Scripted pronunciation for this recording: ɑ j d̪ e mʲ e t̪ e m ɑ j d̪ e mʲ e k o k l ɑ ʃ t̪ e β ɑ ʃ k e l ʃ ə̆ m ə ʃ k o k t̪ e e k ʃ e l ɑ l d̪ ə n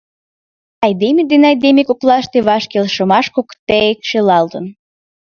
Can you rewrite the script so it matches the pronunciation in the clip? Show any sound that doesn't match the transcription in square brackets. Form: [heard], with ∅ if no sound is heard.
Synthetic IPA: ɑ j d̪ e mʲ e [d̪] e [n] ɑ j d̪ e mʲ e k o k l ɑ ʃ t̪ e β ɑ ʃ k e l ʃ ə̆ m [ɑ] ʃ k o k t̪ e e k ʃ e l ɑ l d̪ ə n